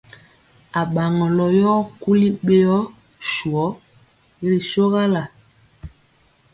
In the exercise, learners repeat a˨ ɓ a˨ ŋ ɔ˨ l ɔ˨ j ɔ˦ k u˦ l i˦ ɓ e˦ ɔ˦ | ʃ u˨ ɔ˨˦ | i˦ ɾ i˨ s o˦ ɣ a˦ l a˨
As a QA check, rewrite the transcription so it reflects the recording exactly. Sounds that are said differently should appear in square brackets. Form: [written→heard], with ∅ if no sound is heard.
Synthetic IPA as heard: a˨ ɓ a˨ ŋ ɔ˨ l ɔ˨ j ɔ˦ k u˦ l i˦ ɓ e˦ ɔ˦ | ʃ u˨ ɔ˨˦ | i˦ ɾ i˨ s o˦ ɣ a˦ l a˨